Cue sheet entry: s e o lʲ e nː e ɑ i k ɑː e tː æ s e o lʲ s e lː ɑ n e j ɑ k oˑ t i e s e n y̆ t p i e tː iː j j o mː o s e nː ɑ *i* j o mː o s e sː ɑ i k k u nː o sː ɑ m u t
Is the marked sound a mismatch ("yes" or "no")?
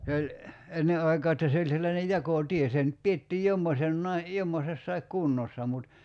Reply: no